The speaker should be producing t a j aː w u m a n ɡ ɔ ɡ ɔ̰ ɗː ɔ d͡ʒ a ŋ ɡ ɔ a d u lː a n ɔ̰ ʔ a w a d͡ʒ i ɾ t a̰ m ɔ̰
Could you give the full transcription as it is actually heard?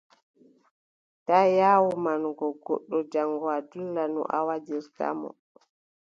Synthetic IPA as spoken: t a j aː w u m a n ɡ ɔ ɡ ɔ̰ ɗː ɔ d͡ʒ a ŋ ɡ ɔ a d u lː a n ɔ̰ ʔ a w a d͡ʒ i ɾ t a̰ m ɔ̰